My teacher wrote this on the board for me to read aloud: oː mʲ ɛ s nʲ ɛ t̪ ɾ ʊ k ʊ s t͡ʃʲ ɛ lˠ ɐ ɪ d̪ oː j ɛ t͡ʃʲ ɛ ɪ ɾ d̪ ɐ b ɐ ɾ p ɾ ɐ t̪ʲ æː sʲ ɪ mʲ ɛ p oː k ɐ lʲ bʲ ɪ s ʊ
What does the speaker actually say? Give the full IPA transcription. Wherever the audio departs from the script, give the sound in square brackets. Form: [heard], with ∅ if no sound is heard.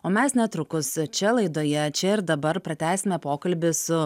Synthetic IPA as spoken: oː mʲ ɛ s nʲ ɛ t̪ ɾ ʊ k ʊ s t͡ʃʲ ɛ lˠ ɐ ɪ d̪ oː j ɛ t͡ʃʲ ɛ ɪ ɾ d̪ ɐ b ɐ ɾ p ɾ ɐ t̪ʲ æː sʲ ɪ mʲ ɛ p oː k ɐ lʲ bʲ ɪ s ʊ